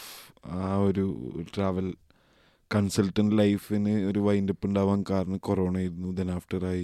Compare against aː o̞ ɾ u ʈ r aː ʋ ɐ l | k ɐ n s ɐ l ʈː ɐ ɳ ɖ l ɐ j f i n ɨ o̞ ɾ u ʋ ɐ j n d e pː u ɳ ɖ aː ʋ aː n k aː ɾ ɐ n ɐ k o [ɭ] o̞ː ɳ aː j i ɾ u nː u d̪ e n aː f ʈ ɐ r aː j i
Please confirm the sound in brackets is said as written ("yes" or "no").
no